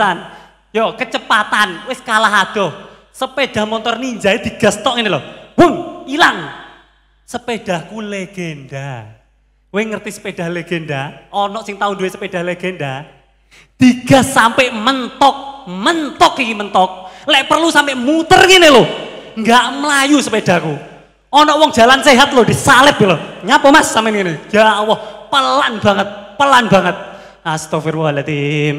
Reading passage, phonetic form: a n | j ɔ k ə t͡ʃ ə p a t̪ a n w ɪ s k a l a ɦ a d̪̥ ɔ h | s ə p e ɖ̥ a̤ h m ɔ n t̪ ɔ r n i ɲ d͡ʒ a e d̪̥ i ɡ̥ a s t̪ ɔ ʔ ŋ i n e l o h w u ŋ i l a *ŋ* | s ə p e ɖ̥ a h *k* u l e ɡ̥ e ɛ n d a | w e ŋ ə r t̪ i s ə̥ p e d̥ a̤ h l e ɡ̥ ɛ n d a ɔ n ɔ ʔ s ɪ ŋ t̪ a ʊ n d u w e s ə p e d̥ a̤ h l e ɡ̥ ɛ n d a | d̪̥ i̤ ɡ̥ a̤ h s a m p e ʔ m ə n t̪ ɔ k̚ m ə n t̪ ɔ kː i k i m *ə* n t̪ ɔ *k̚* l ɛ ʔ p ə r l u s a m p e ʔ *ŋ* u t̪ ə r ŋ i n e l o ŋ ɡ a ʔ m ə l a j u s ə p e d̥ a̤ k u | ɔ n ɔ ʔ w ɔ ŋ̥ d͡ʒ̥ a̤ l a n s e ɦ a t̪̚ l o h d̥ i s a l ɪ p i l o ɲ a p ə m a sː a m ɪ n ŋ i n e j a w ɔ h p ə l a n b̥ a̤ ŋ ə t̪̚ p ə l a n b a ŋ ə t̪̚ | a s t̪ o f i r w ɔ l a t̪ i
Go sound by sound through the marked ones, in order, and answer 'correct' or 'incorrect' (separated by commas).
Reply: correct, correct, correct, correct, incorrect